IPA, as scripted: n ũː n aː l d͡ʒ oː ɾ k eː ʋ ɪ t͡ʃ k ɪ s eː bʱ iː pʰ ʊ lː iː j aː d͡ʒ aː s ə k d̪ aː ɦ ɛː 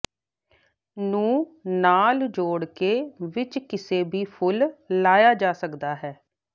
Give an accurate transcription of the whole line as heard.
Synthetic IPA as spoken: n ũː n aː l d͡ʒ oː ɽ k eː ʋ ɪ t͡ʃ k ɪ s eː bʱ iː pʰ ʊ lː aː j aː d͡ʒ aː s ə k d̪ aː ɦ ɛː